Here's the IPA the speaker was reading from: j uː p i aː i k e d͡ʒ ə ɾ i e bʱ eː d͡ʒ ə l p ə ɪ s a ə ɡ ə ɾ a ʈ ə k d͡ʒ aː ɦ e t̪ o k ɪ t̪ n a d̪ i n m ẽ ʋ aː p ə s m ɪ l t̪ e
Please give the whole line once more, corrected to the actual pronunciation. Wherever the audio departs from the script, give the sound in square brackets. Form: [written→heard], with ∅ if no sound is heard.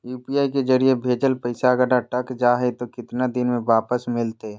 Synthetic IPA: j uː p i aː i k e d͡ʒ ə ɾ i e bʱ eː d͡ʒ ə l p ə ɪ s a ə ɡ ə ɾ a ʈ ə k d͡ʒ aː ɦ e t̪ o k ɪ t̪ n a d̪ [i→ɪ] n m ẽ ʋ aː p ə s m ɪ l t̪ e